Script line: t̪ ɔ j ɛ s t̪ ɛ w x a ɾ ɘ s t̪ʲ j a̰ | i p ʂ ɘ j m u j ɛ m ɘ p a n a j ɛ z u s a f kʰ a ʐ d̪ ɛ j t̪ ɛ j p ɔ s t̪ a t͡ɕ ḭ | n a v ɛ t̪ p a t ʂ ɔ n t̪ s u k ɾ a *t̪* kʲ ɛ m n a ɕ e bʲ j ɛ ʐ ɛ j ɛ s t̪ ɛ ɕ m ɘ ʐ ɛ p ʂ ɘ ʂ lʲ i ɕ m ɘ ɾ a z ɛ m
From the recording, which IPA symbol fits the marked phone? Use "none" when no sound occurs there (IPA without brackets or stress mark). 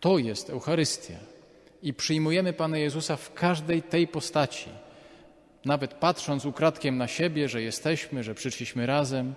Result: t̪